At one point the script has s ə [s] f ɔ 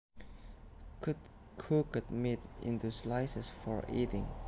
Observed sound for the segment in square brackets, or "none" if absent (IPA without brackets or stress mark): s